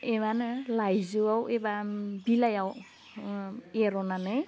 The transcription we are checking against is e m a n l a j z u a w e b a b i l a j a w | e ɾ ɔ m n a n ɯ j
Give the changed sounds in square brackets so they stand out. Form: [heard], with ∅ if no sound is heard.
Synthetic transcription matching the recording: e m a n l a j z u a w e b a b i l a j a w | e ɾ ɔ [∅] n a n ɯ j